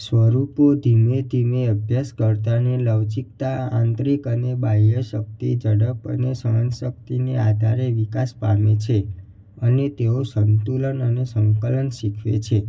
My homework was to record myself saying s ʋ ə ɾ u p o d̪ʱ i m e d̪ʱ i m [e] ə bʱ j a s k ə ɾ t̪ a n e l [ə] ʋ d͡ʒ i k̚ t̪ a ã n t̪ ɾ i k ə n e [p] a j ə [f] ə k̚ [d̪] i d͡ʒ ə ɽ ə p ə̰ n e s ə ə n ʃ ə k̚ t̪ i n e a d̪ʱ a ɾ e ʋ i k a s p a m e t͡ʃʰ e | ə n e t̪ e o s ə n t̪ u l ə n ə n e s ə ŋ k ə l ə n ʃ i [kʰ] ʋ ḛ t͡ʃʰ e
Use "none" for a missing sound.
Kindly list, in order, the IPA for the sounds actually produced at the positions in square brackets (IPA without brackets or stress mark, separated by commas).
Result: e, ə, b, ʃ, t̪, kʰ